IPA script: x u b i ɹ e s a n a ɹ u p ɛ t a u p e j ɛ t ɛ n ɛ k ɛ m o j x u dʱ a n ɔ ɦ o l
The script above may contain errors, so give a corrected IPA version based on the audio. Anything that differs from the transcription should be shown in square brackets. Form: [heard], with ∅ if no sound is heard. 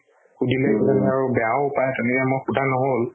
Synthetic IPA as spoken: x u [d] i [l] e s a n a ɹ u [b] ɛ [∅] a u p [a] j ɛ t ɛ n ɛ k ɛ m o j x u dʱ a n ɔ ɦ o l